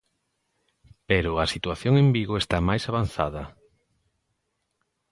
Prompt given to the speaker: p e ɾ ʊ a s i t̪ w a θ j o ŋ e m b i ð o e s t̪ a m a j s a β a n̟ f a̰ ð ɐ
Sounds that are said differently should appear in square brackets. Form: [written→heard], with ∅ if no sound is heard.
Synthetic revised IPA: p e ɾ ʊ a s i t̪ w a θ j o ŋ e m b i [ð→ɣ] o e s t̪ a m a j s a β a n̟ [f→θ] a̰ ð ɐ